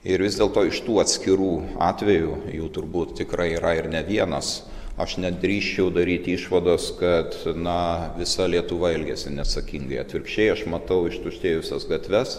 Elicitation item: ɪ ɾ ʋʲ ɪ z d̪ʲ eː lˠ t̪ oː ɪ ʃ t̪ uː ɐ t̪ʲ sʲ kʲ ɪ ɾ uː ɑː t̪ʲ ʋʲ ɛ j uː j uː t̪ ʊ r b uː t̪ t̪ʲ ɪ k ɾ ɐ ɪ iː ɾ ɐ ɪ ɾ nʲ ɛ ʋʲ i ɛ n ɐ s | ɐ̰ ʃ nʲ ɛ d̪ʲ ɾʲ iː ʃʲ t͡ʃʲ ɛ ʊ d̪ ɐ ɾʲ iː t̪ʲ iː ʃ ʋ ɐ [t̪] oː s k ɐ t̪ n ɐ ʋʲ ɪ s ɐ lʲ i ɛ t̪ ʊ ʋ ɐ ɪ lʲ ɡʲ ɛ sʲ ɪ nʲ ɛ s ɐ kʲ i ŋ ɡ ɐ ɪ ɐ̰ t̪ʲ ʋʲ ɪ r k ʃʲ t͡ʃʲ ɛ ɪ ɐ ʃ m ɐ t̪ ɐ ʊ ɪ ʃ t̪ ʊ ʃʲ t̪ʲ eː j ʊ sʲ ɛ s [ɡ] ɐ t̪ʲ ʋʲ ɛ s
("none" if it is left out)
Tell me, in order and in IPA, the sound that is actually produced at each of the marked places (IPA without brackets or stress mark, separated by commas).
d̪, ɡ